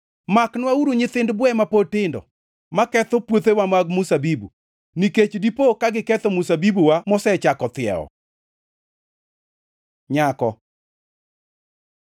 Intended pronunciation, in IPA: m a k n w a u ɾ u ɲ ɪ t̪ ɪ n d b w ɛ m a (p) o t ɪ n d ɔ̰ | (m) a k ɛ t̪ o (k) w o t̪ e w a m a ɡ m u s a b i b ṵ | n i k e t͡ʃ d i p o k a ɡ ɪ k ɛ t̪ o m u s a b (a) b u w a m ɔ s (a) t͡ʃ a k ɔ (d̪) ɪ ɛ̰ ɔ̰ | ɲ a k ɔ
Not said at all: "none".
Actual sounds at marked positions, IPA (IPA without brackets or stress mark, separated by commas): p, m, p, i, ɛ, t̪